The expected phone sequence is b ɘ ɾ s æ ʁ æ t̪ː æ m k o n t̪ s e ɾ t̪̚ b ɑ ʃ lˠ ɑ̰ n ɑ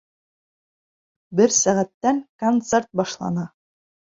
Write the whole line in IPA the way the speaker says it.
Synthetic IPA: b ɘ ɾ s æ ʁ æ t̪ː æ ŋ k o n t̪ s e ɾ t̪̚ b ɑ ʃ lˠ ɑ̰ n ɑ